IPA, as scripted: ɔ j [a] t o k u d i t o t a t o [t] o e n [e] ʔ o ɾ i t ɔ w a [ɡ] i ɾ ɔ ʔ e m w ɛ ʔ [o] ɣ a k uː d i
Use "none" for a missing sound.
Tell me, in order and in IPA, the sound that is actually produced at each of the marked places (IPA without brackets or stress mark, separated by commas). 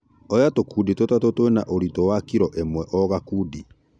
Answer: a, t, a, k, ɔ